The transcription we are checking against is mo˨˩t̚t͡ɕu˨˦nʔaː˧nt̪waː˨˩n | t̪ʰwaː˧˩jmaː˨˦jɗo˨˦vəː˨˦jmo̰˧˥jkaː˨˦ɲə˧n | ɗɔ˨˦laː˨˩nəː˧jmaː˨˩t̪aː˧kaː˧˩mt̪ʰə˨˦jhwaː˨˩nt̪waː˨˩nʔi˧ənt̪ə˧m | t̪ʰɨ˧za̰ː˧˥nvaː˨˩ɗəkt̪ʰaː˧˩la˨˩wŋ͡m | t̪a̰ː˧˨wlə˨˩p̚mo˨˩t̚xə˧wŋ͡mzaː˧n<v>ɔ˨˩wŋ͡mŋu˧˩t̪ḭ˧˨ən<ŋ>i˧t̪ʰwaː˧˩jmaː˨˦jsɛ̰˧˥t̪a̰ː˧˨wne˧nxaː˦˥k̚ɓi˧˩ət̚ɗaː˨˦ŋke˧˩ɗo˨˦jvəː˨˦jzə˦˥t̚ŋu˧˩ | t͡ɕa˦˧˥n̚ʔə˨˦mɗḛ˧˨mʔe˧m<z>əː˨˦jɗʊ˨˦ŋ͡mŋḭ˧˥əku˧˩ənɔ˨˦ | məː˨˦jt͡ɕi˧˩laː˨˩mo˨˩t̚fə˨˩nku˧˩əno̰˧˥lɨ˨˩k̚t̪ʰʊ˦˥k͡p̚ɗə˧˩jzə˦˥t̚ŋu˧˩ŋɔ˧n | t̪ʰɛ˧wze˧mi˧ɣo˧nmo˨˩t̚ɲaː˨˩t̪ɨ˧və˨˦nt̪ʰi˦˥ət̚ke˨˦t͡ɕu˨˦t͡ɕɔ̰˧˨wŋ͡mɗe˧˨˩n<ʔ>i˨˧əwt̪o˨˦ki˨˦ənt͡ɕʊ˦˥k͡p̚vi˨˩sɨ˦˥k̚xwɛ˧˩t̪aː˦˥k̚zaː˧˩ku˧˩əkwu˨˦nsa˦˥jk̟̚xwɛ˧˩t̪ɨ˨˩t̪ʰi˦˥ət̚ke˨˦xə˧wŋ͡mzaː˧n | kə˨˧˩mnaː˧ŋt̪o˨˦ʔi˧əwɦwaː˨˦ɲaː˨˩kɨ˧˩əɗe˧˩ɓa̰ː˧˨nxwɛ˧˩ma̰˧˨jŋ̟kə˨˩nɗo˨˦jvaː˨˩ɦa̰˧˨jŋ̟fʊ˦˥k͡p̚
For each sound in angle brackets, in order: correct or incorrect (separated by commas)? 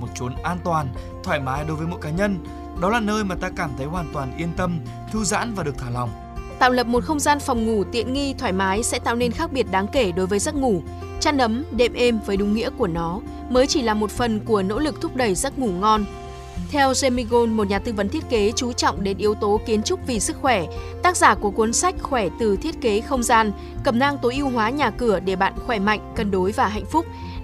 incorrect, correct, incorrect, correct